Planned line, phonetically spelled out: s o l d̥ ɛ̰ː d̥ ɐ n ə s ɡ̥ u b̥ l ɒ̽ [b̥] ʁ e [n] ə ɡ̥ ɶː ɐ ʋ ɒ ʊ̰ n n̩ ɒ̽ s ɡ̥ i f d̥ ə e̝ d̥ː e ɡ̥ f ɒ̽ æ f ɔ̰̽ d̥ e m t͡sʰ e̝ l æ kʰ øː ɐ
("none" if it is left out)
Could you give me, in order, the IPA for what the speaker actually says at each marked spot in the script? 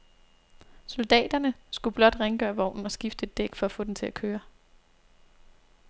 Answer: d̥, ŋ

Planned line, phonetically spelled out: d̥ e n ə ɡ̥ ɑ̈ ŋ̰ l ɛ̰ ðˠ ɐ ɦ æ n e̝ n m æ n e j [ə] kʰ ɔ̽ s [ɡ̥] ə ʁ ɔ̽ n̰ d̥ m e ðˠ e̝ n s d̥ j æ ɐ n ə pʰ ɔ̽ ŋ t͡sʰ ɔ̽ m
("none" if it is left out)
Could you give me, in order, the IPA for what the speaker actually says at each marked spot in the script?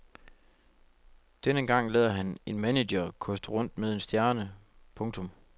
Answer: ɐ, d̥

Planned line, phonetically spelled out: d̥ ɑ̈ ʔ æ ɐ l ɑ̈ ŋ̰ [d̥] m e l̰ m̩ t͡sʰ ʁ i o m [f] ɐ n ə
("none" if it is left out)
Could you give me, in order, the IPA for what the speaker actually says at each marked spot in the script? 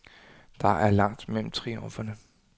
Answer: d̥, f

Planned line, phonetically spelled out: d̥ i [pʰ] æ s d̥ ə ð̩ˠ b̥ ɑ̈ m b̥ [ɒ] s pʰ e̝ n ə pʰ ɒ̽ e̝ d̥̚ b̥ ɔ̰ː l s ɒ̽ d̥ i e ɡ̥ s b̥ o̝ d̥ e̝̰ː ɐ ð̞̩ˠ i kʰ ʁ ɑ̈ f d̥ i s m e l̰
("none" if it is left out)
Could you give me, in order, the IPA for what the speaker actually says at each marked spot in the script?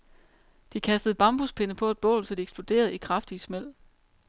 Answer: kʰ, u

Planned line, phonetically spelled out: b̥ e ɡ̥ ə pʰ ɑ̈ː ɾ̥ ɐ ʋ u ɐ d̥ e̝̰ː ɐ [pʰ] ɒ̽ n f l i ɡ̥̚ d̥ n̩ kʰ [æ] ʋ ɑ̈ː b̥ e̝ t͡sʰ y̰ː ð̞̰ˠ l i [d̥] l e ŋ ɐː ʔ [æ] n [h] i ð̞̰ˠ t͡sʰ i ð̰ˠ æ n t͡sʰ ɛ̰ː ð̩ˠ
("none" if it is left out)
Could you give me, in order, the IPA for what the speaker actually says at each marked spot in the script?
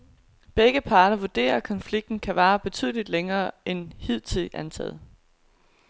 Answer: kʰ, æ, d̥, e, h

